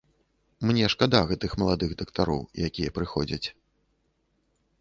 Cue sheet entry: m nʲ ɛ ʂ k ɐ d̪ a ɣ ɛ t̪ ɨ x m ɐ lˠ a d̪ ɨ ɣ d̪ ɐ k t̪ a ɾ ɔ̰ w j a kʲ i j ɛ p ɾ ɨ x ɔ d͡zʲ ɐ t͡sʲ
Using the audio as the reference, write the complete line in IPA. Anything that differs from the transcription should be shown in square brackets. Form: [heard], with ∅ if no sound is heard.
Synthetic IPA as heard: m nʲ ɛ ʂ k [a] d̪ a ɣ ɛ t̪ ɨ x m ɐ lˠ a d̪ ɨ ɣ d̪ ɐ k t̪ a ɾ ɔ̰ w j a kʲ i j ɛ p ɾ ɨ x ɔ d͡zʲ ɐ t͡sʲ